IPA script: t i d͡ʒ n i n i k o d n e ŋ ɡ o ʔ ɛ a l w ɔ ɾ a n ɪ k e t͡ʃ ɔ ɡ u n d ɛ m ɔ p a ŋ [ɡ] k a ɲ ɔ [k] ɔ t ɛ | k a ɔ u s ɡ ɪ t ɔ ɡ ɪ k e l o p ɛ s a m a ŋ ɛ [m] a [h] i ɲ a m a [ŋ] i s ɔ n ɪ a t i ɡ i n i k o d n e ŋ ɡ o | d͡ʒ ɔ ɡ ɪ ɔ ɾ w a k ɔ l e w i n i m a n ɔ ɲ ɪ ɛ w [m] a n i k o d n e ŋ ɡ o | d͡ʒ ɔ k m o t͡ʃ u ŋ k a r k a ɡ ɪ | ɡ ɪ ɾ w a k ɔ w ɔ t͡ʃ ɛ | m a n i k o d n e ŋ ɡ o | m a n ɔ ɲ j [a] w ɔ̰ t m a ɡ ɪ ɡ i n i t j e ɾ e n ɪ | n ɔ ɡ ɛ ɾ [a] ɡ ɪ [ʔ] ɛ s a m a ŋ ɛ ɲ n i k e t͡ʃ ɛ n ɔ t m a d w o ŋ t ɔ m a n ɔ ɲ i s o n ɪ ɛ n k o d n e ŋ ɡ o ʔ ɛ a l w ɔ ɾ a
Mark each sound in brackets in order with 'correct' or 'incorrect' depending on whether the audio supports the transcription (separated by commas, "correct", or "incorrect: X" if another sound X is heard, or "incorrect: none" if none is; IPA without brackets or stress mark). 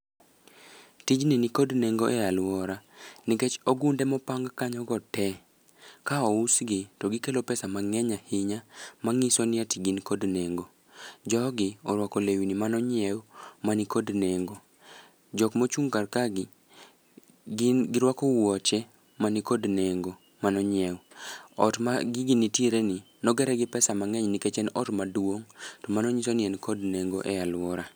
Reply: correct, incorrect: ɡ, incorrect: ɲ, correct, correct, correct, incorrect: ɛ, incorrect: ɛ, incorrect: p